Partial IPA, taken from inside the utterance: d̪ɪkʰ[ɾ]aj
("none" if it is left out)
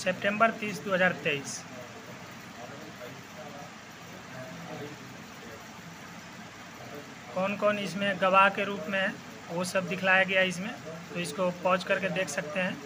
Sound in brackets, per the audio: l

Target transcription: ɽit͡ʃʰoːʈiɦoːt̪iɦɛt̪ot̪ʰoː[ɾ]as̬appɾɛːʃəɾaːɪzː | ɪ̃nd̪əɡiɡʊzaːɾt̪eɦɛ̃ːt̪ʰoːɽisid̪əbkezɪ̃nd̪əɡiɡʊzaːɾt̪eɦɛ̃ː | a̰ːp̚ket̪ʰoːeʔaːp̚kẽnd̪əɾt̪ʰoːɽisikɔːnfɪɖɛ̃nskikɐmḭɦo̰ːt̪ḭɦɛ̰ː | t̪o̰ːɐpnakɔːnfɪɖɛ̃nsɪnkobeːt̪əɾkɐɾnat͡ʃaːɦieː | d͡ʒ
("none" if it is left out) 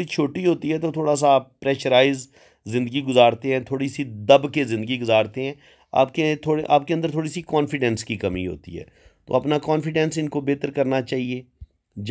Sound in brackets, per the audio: ɽ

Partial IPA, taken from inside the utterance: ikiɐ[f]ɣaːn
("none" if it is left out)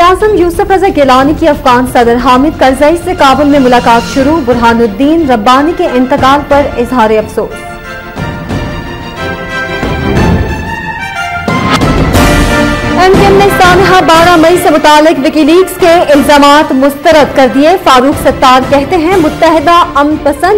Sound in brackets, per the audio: f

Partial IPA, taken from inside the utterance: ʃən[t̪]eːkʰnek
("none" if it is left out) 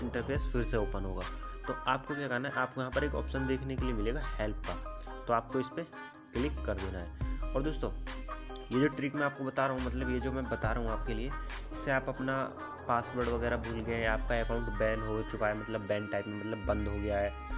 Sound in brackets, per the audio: d̪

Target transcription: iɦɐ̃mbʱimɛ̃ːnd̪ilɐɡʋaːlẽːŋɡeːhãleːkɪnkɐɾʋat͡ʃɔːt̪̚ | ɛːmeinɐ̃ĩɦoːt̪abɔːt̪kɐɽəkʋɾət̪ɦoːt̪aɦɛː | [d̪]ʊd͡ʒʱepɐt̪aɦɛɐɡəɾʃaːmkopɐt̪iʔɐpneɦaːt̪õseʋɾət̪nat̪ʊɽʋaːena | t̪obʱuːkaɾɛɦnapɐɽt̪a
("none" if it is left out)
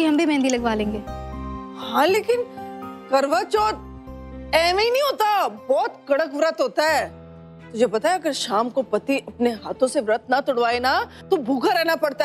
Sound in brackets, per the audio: t̪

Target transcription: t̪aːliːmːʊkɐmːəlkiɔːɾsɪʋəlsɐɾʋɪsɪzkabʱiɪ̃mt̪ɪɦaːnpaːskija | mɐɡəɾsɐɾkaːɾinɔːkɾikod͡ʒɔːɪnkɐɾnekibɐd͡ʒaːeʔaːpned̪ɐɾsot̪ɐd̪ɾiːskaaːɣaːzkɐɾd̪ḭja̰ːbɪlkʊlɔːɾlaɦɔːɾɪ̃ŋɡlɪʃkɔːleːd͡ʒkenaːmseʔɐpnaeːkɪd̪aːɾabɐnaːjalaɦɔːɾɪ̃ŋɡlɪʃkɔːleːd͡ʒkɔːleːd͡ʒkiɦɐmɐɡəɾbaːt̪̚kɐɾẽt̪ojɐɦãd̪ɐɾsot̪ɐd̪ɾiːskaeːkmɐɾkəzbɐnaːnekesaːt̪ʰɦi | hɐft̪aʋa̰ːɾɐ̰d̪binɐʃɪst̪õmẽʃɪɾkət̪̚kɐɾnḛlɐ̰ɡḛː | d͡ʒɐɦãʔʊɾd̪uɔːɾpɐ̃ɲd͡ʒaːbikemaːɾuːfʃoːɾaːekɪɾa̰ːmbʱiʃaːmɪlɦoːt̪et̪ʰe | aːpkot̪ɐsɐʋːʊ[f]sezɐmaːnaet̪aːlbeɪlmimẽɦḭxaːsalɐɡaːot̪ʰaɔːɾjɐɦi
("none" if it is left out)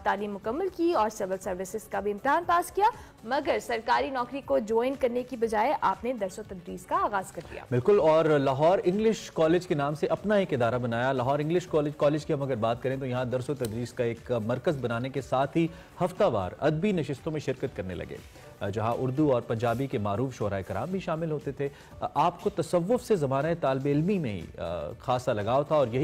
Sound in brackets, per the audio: f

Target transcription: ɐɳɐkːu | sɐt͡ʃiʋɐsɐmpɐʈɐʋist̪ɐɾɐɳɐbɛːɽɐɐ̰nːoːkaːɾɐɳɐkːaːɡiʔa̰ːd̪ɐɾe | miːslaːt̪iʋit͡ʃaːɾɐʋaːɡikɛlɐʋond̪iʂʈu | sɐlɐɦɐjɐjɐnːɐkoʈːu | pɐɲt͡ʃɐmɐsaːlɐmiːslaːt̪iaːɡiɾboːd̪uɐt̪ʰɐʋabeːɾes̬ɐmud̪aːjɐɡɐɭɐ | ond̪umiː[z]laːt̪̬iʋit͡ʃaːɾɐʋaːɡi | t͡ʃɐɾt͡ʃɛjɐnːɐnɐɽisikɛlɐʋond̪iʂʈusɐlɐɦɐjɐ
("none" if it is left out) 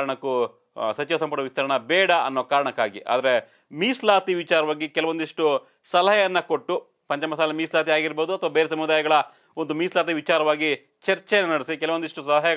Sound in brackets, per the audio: s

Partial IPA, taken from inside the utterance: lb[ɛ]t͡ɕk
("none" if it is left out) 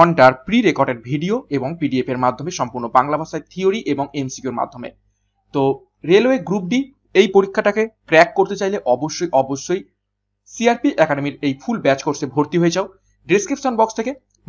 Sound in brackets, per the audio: ɛ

